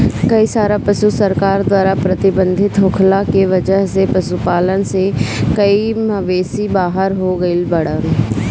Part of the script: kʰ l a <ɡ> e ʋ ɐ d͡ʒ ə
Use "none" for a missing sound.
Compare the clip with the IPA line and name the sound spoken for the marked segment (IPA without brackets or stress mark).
k